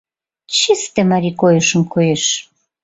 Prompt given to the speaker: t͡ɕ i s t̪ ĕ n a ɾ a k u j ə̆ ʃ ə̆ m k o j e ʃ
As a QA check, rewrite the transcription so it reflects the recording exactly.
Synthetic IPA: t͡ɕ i s t̪ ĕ m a ɾ i k o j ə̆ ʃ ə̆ m k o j e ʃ